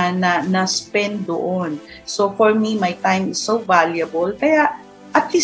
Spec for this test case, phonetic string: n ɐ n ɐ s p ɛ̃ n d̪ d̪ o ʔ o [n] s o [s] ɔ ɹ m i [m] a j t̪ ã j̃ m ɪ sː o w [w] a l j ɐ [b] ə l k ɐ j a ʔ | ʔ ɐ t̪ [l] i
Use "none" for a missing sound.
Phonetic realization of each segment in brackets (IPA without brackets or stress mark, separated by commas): n, f, m, v, b, l